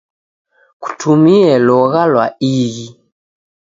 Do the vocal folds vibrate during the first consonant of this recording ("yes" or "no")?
no